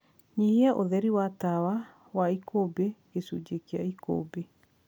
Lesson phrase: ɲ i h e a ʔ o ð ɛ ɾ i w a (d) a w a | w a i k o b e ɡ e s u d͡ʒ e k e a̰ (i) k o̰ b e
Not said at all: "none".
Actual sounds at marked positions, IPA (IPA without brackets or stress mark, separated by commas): t, i